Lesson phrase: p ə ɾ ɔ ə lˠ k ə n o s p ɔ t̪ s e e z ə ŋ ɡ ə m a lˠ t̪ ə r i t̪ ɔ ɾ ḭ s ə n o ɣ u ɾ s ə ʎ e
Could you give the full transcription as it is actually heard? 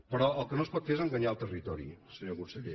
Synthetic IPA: p ə ɾ ɔ ə lˠ k ə n o s p ɔ t̪ f e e z ə ŋ ɡ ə ɲ a lˠ t̪ ə r i t̪ ɔ ɾ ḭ s ə ɲ o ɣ u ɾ s ə ʎ e

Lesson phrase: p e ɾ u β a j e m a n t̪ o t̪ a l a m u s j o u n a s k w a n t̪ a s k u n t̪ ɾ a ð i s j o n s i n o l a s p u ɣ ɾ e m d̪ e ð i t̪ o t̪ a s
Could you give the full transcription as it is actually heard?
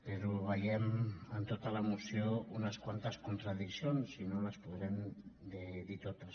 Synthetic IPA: p e ɾ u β a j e m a n t̪ o t̪ a l a m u s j o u n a s k w a n t̪ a s k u n t̪ ɾ a ð i s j o n s i n o l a s p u ð ɾ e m d̪ e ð i t̪ o t̪ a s

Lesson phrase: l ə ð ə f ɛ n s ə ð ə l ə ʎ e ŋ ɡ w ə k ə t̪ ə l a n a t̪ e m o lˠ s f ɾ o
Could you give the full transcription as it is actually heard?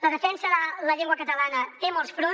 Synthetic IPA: l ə ð ə f ɛ n s ə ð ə l ə ʎ e ŋ ɡ w ə k ə t̪ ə l a n ə t̪ e m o lˠ s f ɾ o

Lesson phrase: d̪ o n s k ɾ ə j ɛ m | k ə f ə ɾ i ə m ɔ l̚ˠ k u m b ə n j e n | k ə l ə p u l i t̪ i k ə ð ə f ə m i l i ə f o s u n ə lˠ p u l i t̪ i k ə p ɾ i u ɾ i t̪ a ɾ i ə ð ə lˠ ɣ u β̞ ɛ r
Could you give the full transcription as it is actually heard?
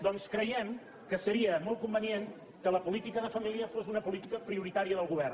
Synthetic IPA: d̪ ɔ n s k ɾ ə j ɛ m | k ə s ə ɾ i ə m ɔ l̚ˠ k u m b ə n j e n | k ə l ə p u l i t̪ i k ə ð ə f ə m i l i ə f o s u n ə p u l i t̪ i k ə p ɾ i u ɾ i t̪ a ɾ i ə ð ə lˠ ɣ u β̞ ɛ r

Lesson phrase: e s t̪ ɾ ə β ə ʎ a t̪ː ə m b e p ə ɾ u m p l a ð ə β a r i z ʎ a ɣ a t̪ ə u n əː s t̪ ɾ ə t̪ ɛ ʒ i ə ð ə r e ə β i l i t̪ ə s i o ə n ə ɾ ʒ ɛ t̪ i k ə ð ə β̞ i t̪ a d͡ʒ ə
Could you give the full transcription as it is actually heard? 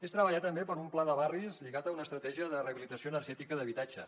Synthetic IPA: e s t̪ ɾ ə β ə ʎ a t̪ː ə m b e p ə ɾ u m p l a ð ə β a r i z ʎ i ɣ a t̪ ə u n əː s t̪ ɾ ə t̪ ɛ ʒ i ə ð ə r e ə β i l i t̪ ə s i o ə n ə ɾ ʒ ɛ t̪ i k ə ð ə β̞ i t̪ a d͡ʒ ə

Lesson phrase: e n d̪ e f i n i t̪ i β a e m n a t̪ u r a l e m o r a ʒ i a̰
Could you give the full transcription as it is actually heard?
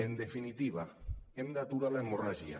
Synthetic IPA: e n d̪ e f i n i t̪ i β a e m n a t̪ u ɾ a l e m o r a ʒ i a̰

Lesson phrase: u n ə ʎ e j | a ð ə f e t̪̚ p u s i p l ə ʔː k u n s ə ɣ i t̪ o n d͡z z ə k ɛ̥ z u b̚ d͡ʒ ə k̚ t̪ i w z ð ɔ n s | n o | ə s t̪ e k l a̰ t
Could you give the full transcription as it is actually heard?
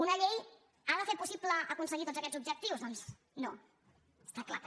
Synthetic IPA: u n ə ʎ e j | a ð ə f e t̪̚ p u s i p l ə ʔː k u n s ə ɣ i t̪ o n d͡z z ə k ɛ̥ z u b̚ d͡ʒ ə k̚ t̪ i w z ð ɔ n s | n o | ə s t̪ a k l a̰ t

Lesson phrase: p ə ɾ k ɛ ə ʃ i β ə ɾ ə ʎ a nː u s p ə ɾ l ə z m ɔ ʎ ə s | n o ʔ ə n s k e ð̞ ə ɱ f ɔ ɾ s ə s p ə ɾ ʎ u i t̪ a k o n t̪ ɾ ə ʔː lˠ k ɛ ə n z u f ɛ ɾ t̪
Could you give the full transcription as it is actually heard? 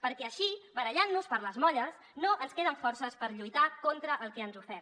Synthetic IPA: p ə ɾ k ɛ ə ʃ i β ə ɾ ə ʎ a nː u s p ə ɾ l ə z m ɔ ʎ ə s | n o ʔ ə n s k e ð̞ ə ɱ f ɔ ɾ s ə s p ə ɾ ʎ u j t̪ a k o n t̪ ɾ ə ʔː lˠ k ɛ ə n z u f ɛ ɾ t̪

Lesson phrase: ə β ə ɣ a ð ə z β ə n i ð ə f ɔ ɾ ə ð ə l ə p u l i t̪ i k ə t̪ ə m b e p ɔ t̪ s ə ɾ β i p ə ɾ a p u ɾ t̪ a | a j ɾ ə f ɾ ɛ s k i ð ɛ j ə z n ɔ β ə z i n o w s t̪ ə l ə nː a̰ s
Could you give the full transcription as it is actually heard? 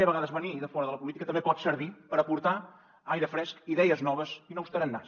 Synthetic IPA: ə β ə ɣ a ð ə z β ə n i ð ə f ɔ ɾ ə ð ə l ə p u l i t̪ i k ə t̪ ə m b e p ɔ t̪ s ə ɾ β i p ə ɾ ə p u ɾ t̪ a | a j ɾ ə f ɾ ɛ s k i ð ɛ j ə z n ɔ β ə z i n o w s t̪ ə ɾ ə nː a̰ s

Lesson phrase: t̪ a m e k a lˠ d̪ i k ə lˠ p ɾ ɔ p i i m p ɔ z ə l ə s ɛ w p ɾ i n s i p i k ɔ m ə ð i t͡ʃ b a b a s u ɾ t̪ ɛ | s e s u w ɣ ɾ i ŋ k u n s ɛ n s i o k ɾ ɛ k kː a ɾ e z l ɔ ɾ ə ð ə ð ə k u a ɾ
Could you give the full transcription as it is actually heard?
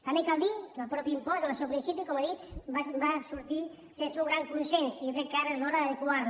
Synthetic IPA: t̪ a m e k a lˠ d̪ i k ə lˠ p ɾ ɔ p i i m p ɔ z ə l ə s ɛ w p ɾ i n s i p i k ɔ m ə ð i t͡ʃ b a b a s u ɾ t̪ i | s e s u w ɣ ɾ a ŋ k u n s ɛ n s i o k ɾ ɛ k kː a ɾ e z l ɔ ɾ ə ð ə ð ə k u a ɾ

